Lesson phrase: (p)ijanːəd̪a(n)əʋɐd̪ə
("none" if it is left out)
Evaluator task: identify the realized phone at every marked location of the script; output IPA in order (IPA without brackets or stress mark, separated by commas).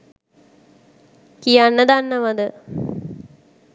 k, nː